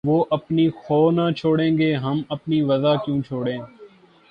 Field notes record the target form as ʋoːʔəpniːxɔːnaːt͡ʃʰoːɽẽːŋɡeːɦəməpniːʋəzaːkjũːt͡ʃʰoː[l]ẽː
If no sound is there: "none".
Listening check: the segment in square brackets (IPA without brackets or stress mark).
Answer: ɽ